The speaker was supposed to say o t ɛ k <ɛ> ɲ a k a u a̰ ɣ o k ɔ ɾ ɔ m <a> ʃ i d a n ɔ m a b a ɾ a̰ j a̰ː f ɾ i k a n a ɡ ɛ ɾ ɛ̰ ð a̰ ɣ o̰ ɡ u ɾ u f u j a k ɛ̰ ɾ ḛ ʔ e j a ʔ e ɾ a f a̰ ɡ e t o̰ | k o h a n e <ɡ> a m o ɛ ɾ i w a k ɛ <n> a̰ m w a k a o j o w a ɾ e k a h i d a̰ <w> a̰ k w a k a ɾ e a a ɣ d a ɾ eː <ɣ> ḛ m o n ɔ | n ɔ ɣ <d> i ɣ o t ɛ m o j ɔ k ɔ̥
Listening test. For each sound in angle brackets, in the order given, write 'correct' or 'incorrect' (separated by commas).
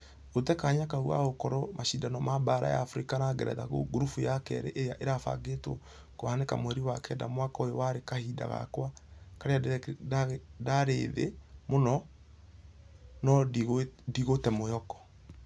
incorrect, correct, incorrect, incorrect, incorrect, incorrect, correct